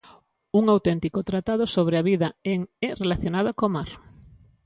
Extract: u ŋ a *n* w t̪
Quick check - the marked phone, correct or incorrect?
incorrect